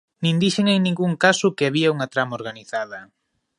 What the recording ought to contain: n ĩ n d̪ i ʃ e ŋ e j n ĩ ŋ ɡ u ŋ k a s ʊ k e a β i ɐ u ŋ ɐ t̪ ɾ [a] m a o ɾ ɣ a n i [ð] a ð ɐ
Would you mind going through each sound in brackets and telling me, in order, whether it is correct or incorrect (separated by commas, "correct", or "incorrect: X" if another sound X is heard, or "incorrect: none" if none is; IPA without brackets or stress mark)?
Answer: correct, incorrect: θ